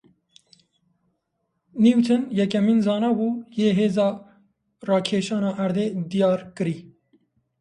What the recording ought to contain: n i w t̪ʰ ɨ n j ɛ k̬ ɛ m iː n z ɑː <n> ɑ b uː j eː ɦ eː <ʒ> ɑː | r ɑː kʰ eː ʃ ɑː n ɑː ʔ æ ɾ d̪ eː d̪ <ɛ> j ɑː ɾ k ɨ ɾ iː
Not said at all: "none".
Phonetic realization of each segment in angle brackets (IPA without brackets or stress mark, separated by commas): n, z, i